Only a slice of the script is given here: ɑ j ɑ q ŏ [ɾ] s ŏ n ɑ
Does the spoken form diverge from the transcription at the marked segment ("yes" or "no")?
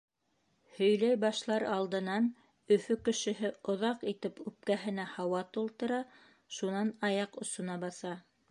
yes